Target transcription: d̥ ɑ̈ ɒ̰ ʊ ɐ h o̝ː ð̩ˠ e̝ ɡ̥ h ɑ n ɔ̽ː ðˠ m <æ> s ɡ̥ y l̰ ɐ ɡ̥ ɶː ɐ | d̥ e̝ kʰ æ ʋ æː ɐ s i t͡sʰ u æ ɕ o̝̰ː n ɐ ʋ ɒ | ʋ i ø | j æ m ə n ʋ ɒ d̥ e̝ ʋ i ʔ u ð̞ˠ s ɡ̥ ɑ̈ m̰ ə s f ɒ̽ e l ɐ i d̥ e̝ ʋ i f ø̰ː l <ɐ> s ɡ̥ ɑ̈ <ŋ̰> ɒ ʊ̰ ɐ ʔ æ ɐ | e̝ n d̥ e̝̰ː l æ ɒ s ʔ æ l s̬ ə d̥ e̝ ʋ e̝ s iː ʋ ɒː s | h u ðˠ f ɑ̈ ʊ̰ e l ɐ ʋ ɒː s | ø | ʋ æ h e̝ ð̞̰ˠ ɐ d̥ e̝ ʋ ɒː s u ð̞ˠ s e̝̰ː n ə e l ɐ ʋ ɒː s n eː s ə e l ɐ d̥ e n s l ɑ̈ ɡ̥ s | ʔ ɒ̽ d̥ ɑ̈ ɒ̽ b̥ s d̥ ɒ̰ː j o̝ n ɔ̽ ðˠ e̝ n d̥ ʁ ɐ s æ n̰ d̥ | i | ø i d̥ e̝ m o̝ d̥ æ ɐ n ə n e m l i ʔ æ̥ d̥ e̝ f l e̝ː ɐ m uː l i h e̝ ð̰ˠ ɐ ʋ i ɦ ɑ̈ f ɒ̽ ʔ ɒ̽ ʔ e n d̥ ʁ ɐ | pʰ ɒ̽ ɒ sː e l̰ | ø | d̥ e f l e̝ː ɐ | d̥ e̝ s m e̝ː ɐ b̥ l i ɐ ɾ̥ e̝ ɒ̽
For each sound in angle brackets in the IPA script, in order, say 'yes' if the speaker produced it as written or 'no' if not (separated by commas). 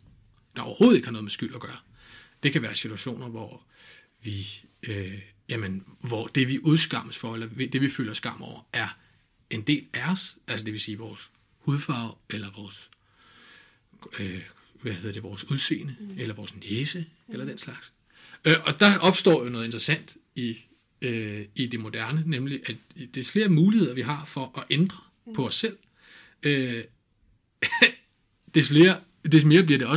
no, yes, no